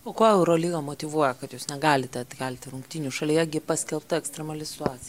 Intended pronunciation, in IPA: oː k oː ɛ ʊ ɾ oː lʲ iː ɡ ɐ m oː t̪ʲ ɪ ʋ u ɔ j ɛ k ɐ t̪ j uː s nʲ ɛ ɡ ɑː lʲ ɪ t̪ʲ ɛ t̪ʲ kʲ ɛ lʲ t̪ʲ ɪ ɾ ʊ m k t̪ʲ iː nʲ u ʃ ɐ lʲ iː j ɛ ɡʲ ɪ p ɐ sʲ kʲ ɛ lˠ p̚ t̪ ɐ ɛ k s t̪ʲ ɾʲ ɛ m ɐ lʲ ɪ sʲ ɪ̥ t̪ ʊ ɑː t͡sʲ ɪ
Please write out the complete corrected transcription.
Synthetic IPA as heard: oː k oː ɛ ʊ ɾ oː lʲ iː ɡ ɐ m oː t̪ʲ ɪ ʋ u ɔ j ɛ k ɐ t̪ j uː s nʲ ɛ ɡ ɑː lʲ ɪ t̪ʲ ɛ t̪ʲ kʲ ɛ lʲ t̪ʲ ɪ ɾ ʊ ŋ k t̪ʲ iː nʲ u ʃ ɐ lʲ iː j ɛ ɡʲ ɪ p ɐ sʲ kʲ ɛ lˠ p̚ t̪ ɐ ɛ k s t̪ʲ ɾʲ ɛ m ɐ lʲ ɪ sʲ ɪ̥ t̪ ʊ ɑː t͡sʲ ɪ